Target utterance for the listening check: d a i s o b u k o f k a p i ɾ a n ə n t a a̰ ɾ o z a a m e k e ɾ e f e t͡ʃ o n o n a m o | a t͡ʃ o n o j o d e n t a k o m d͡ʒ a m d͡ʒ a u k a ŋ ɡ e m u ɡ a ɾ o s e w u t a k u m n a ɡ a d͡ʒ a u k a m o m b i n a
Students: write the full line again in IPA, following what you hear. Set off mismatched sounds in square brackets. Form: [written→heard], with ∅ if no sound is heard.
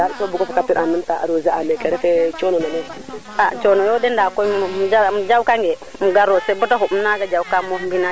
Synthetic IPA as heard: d a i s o b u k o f k a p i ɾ a n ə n t a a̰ ɾ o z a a m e k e ɾ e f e t͡ʃ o n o n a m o | a t͡ʃ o n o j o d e n [t→d] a k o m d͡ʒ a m d͡ʒ a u k a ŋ ɡ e m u ɡ a ɾ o s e [w→b] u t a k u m n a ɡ a d͡ʒ a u k a m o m b i n a